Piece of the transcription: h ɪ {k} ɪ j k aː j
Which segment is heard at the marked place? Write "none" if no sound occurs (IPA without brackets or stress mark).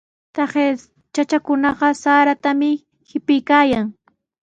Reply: p